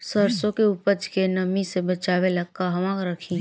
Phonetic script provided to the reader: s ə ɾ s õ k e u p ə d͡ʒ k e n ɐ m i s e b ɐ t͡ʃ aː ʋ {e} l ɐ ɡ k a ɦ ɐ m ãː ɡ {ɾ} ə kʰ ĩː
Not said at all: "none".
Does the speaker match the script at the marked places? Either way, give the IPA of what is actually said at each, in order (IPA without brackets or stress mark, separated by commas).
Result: e, ɾ